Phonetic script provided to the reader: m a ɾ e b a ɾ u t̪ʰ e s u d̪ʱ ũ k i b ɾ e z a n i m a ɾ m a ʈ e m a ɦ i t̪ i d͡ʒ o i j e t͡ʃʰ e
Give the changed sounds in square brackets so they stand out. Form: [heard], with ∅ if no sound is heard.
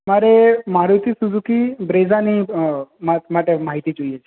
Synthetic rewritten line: m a ɾ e [m] a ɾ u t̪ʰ [i] s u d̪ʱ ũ k i b ɾ e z a n i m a [∅] m a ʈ e m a ɦ i t̪ i d͡ʒ o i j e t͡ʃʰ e